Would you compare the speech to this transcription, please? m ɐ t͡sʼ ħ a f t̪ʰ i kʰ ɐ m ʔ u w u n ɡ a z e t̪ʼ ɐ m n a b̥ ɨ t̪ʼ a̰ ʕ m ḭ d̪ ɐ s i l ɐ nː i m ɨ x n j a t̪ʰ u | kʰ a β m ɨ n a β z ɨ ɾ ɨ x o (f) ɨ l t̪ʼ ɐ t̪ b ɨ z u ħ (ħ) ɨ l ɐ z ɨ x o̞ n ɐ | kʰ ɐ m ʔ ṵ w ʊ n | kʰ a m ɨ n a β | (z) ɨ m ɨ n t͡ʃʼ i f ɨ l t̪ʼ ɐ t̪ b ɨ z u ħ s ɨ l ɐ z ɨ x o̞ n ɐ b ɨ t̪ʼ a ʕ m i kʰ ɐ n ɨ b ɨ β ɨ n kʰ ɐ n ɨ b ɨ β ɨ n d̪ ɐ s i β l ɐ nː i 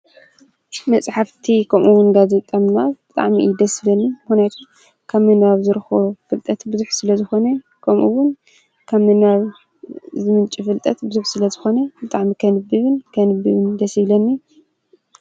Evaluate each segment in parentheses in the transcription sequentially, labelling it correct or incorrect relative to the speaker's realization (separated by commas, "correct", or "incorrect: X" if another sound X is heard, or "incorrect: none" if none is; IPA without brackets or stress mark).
correct, incorrect: s, correct